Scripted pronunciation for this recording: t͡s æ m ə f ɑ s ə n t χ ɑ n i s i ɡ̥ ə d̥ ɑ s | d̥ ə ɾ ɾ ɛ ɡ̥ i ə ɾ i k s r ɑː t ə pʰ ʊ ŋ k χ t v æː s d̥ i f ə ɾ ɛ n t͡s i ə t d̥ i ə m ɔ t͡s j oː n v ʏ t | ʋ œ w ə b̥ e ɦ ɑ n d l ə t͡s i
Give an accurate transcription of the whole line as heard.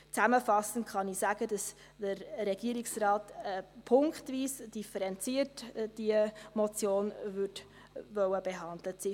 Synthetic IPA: t͡s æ m ə f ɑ s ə n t χ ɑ n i s æ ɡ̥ ə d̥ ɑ s | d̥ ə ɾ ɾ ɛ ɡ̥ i ə ɾ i k s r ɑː t ə pʰ ʊ ŋ k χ t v iː s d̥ i f ə ɾ ɛ n t͡s i ə t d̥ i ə m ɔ t͡s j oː n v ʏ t | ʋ œ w ə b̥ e ɦ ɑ n d l ə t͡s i